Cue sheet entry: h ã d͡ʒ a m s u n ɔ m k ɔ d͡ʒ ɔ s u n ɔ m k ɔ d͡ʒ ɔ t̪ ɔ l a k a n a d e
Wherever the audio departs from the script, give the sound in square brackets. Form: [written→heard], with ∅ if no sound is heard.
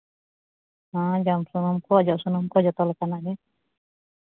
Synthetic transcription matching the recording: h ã d͡ʒ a m s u n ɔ m k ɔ d͡ʒ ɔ s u n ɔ m k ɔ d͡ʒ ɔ t̪ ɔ l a k a n a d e